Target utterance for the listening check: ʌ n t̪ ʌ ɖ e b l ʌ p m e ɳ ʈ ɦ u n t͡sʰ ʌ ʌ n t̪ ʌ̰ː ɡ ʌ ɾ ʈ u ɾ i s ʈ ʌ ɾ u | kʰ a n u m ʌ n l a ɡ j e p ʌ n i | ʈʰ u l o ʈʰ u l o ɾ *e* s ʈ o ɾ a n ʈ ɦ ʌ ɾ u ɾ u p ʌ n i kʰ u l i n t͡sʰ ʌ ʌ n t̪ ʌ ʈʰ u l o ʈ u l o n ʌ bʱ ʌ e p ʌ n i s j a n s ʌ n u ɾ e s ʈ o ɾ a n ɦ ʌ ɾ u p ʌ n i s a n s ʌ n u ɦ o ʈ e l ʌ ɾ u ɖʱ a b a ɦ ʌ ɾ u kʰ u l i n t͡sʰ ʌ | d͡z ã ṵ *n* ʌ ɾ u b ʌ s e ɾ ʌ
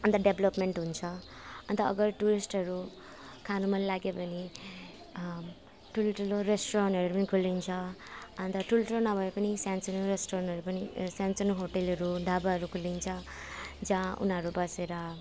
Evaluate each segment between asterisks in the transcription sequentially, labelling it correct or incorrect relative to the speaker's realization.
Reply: correct, correct

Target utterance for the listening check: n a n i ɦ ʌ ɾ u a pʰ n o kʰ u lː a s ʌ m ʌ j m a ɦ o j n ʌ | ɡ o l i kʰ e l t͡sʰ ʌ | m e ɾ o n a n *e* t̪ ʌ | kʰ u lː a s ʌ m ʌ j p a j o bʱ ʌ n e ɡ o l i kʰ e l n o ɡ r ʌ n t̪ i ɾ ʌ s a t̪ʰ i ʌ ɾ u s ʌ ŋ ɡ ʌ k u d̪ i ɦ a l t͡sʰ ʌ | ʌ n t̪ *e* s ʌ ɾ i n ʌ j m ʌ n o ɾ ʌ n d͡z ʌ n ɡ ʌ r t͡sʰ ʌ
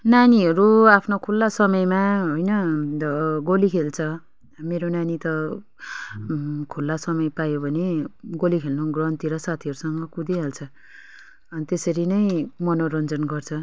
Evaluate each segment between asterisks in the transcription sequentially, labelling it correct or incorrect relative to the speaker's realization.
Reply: incorrect: i, correct

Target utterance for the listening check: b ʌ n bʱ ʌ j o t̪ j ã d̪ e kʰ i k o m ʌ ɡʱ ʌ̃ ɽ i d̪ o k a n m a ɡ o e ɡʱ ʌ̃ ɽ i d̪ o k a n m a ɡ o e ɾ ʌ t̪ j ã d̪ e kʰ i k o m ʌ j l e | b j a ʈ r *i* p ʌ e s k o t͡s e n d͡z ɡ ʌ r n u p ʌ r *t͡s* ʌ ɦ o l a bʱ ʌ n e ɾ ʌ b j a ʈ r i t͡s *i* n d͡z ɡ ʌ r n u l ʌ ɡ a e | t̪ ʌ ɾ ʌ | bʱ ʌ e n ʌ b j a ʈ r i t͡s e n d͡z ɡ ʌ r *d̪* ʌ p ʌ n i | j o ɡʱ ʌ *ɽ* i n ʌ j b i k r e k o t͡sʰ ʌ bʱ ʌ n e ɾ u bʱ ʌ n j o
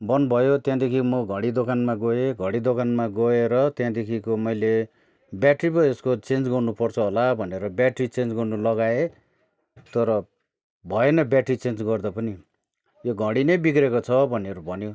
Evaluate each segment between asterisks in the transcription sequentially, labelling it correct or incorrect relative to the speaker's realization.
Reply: correct, incorrect: t͡sʰ, incorrect: e, correct, correct

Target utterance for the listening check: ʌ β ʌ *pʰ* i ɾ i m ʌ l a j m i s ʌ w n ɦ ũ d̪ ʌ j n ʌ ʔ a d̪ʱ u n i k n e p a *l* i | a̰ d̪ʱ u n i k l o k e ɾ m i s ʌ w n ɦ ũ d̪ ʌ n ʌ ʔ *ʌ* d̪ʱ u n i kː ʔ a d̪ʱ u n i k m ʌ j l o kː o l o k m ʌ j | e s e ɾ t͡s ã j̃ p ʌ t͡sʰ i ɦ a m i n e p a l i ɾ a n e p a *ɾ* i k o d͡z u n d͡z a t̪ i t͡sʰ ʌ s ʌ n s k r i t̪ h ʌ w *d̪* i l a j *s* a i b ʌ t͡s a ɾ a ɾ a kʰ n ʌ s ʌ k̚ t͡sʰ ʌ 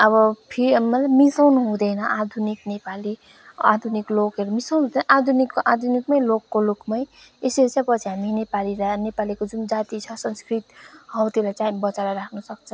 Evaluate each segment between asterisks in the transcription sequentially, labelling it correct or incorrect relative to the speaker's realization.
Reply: correct, correct, incorrect: a, incorrect: l, incorrect: t̪, incorrect: t͡s

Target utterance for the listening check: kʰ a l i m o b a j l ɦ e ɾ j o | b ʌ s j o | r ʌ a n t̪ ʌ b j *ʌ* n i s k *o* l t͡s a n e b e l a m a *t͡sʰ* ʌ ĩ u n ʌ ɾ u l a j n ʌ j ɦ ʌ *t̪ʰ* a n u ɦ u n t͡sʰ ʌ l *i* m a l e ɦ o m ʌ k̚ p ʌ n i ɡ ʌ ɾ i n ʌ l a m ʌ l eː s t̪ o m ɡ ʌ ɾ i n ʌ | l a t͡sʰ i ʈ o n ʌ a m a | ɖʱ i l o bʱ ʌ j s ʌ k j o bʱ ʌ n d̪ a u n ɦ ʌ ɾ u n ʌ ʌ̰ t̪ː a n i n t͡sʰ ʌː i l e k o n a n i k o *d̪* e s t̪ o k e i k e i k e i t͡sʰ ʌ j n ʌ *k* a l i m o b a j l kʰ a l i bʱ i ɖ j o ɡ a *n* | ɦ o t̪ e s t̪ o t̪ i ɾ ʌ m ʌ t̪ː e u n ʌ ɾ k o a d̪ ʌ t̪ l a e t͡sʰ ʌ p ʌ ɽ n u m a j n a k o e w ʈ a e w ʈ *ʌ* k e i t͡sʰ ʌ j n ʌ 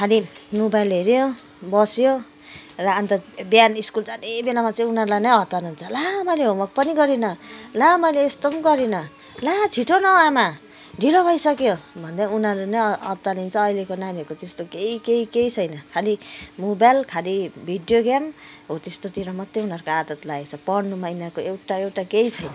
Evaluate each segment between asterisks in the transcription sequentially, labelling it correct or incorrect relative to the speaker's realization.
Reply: incorrect: a, incorrect: u, incorrect: t͡s, incorrect: t̪, incorrect: a, incorrect: t̪, incorrect: kʰ, incorrect: m, incorrect: a

